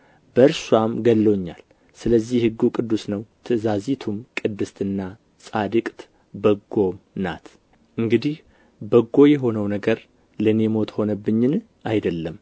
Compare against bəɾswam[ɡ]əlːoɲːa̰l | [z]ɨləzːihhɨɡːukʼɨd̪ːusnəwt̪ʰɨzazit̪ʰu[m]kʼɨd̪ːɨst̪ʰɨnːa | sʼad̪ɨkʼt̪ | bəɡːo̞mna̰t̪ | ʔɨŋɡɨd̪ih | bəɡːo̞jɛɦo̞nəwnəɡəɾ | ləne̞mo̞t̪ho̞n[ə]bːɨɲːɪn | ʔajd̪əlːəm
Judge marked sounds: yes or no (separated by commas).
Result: yes, no, yes, yes